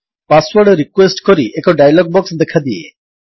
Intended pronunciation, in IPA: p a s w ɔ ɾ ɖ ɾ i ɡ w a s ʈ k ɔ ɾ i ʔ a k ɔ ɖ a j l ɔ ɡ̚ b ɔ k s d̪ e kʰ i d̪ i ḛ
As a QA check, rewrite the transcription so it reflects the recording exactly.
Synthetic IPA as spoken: p a s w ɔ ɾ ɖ ɾ i k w e s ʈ k ɔ ɾ i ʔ e k ɔ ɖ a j l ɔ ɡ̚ b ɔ k s d̪ e kʰ a d̪ i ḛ